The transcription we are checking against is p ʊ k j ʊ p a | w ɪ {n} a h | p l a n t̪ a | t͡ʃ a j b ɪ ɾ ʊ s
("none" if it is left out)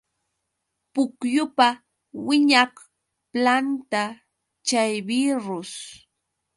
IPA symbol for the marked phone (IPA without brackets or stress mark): ɲ